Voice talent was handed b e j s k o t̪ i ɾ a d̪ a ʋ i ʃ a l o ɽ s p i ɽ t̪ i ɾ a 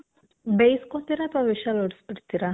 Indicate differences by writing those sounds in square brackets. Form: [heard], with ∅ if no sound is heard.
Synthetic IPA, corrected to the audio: b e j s k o t̪ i ɾ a [t̪] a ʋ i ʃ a l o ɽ s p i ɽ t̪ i ɾ a